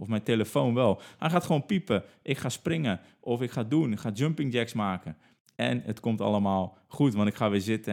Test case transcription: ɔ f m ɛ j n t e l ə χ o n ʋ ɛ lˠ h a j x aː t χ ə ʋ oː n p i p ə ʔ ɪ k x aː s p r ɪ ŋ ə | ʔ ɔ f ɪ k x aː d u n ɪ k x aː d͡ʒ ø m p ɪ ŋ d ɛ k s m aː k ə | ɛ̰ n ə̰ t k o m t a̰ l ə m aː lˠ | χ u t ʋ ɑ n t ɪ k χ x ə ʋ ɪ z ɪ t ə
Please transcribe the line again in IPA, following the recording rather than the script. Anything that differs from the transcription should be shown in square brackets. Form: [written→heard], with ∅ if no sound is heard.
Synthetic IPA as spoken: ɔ f m ɛ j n t e l ə [χ→f] o n ʋ ɛ lˠ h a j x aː t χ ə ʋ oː n p i p ə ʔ ɪ k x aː s p r ɪ ŋ ə | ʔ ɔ f ɪ k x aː d u n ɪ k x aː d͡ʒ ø m p ɪ ŋ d ɛ k s m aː k ə | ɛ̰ n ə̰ t k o m t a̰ l ə m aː lˠ | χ u t ʋ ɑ n t ɪ k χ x [ə→a] ʋ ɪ z ɪ t ə